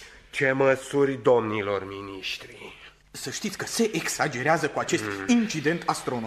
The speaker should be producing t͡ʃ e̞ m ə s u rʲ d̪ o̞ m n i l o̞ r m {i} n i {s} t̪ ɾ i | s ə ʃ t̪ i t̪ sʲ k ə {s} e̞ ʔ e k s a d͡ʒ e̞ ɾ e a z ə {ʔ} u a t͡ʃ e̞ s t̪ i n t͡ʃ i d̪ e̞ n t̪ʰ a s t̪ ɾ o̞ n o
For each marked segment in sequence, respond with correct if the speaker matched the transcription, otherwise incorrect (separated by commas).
correct, incorrect, correct, incorrect